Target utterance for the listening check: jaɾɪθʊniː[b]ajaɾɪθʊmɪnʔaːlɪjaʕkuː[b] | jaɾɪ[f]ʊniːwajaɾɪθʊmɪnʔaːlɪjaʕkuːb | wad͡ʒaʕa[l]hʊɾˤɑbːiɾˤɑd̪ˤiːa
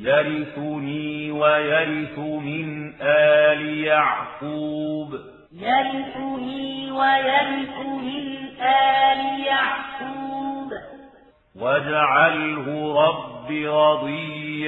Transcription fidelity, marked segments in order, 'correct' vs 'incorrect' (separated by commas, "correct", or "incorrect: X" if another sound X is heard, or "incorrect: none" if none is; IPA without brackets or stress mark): incorrect: w, correct, incorrect: θ, correct